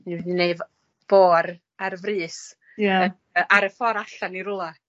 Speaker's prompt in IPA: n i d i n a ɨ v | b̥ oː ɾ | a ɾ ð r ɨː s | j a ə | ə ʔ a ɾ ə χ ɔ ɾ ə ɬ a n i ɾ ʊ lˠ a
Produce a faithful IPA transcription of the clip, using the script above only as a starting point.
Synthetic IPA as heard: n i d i n e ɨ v | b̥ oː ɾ | a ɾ v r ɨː s | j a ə | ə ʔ a ɾ ə f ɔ ɾ a ɬ a n i ɾ ʊ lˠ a